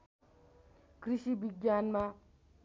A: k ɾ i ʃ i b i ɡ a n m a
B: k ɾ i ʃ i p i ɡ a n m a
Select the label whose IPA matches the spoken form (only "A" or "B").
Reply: A